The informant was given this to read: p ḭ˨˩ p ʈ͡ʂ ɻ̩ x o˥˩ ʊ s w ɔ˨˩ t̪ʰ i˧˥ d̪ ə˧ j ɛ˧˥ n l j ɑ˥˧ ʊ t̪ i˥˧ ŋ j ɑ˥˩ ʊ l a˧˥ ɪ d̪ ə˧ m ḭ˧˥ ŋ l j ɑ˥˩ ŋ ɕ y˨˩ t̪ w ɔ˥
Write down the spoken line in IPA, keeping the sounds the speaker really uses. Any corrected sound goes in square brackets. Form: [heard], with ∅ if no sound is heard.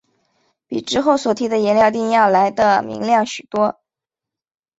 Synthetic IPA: p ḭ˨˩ [∅] ʈ͡ʂ ɻ̩ x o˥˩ ʊ s w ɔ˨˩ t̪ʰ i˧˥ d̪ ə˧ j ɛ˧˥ n l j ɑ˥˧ ʊ t̪ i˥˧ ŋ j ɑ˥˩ ʊ l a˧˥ ɪ d̪ ə˧ m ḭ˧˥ ŋ l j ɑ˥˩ ŋ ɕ y˨˩ t̪ w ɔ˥